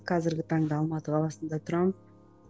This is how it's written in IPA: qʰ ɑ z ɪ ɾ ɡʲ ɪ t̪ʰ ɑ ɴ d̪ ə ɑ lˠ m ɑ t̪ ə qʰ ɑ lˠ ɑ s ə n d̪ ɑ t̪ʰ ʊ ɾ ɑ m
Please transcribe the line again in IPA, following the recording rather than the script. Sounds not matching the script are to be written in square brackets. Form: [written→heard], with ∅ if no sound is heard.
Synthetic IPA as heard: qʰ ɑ z ɪ ɾ ɡʲ ɪ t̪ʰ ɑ ɴ d̪ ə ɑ lˠ m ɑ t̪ ə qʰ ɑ lˠ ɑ s ə n d̪ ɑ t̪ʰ ʊ ɾ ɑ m